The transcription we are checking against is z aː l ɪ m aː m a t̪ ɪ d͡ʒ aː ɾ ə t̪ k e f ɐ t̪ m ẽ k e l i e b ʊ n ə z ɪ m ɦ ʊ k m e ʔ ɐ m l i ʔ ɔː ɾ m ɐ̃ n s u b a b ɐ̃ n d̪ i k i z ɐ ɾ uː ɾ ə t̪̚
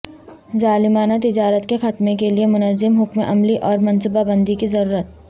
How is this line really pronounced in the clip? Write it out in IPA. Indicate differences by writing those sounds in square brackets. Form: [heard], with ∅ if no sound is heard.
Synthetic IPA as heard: z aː l ɪ m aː [n] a t̪ ɪ d͡ʒ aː ɾ ə t̪ k e [x] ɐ t̪ m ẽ k e l i e [m] ʊ n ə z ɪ m ɦ ʊ k m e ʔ ɐ m l i ʔ ɔː ɾ m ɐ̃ n s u b a b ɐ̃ n d̪ i k i z ɐ ɾ uː ɾ ə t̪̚